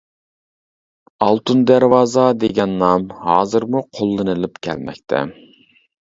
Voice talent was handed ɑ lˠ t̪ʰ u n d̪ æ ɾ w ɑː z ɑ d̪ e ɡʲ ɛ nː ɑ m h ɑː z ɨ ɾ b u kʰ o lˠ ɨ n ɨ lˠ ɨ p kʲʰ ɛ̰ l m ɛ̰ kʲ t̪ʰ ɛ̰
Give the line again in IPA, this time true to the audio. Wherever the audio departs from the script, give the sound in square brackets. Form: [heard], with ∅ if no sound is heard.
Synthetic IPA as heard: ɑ lˠ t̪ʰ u n d̪ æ ɾ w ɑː z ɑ d̪ e ɡʲ ɛ nː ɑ m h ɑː z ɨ ɾ [m] u [qʰ] o [lˠː] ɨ n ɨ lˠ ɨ p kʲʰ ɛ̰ l m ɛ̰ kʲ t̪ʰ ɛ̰